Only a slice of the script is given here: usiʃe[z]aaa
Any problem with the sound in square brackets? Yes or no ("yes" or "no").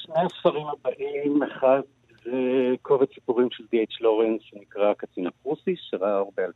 yes